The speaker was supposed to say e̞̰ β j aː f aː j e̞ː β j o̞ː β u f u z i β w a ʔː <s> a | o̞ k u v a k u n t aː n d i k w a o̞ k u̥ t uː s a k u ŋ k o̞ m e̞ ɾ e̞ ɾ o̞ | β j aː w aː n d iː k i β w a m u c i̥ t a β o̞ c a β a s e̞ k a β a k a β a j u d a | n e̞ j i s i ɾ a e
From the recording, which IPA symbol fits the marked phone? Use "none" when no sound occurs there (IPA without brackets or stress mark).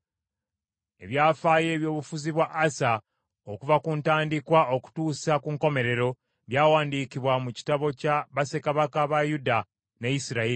s